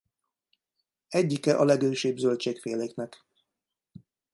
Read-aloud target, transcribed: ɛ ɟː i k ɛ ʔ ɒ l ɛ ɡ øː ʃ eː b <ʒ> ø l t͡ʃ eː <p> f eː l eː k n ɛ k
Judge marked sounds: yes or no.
no, no

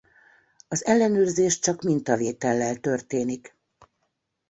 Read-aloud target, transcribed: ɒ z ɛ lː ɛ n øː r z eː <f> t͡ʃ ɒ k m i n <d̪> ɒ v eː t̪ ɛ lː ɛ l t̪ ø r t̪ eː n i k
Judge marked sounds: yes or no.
no, no

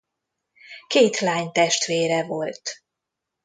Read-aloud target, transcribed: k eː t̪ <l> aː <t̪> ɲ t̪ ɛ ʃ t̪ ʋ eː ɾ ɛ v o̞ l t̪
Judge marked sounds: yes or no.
yes, no

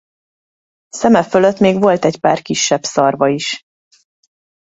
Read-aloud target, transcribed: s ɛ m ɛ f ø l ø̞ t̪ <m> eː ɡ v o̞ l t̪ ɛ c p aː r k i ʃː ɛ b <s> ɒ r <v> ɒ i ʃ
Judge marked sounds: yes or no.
yes, yes, yes

